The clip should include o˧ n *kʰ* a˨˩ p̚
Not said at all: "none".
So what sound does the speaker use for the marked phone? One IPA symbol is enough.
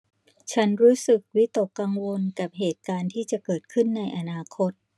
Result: k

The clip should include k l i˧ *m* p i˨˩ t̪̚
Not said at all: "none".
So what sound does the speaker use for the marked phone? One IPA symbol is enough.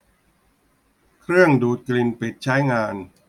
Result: n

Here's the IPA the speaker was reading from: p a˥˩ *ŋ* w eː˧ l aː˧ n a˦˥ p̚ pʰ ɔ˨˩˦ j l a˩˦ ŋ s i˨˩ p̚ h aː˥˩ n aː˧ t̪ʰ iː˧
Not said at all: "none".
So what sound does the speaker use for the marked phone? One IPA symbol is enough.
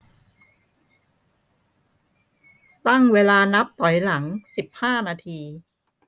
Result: ŋ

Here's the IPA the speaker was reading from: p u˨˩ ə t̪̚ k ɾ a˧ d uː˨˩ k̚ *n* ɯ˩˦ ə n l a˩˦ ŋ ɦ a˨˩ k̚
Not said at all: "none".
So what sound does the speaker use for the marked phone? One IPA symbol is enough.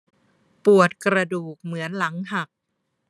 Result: m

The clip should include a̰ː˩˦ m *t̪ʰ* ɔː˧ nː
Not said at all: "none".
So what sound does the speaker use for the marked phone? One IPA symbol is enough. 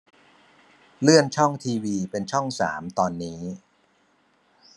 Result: t̪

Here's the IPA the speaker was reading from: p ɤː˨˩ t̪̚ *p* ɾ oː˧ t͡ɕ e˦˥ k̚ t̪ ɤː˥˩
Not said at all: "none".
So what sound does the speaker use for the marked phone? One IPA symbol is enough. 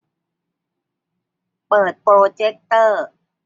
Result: p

